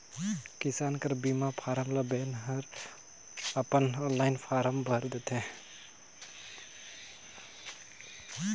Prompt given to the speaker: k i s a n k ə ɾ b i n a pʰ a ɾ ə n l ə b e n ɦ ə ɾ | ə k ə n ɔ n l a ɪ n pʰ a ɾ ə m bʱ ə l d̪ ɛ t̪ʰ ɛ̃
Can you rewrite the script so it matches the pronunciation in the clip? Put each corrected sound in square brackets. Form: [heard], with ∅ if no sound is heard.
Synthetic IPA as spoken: k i s a n k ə ɾ b i [m] a pʰ a ɾ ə [m] l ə b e n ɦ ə ɾ | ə [p] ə n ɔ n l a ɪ n pʰ a ɾ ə m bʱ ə [ɾ] d̪ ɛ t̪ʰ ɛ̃